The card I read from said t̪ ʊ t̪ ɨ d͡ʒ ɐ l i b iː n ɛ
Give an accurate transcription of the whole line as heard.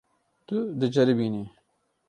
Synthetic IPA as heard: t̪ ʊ d̪ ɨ d͡ʒ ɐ ɾ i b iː n i